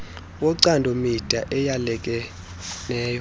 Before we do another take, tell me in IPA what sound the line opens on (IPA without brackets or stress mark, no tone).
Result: w